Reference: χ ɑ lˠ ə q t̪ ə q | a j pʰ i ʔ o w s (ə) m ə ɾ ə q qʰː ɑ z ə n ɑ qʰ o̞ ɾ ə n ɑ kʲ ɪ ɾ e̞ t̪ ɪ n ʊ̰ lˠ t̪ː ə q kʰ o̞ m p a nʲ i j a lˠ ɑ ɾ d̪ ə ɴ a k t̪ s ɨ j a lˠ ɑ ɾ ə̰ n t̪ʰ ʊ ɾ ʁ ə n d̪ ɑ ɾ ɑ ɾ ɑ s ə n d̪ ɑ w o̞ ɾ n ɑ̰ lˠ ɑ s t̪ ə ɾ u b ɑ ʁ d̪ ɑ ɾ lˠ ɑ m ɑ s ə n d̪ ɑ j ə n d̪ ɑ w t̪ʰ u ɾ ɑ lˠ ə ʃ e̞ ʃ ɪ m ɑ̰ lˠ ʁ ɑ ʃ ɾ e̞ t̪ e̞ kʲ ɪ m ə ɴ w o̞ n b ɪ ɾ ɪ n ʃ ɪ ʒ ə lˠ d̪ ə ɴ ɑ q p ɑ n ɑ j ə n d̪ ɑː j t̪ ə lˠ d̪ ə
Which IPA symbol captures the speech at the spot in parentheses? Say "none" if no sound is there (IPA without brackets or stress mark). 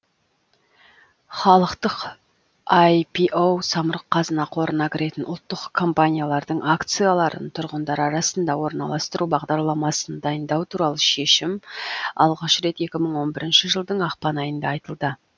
ɑ